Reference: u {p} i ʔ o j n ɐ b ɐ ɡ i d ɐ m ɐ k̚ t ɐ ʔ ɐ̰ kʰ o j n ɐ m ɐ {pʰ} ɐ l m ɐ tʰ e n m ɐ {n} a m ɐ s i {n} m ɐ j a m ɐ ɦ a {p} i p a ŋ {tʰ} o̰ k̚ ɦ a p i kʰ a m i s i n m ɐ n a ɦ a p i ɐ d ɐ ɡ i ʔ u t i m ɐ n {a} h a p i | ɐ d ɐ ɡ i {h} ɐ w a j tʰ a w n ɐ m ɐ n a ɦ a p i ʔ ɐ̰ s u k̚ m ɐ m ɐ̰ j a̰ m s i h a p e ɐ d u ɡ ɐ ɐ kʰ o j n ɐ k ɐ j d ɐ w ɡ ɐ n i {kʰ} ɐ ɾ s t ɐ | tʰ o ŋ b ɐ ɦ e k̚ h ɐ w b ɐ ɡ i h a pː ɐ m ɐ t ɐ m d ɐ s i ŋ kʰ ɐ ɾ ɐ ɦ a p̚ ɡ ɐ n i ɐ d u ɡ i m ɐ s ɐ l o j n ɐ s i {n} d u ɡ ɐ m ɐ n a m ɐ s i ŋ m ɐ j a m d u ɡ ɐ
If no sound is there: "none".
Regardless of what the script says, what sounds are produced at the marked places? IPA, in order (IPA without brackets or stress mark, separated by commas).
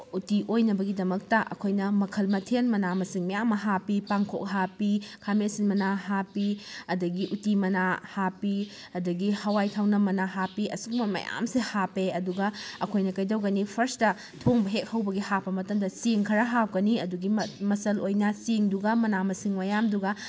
t, kʰ, n, ŋ, p, kʰ, a, h, pʰ, ŋ